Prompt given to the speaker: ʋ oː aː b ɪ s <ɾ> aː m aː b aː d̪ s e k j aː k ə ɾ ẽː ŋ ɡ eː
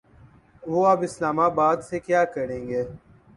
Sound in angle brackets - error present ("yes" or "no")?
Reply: yes